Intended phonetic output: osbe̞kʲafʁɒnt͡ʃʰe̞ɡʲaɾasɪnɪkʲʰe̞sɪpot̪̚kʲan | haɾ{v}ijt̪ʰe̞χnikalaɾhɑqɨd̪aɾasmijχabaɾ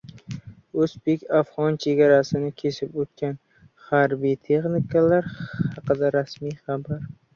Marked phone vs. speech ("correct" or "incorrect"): incorrect